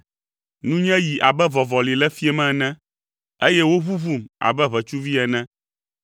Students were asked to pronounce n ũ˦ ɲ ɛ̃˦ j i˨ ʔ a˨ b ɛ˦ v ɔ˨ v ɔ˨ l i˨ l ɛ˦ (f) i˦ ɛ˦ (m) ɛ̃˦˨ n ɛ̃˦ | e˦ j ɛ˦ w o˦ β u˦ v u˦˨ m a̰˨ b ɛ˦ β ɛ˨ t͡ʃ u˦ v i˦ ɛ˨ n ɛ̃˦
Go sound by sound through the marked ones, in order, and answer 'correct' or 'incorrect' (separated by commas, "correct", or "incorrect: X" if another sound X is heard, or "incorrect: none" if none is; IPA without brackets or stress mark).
correct, correct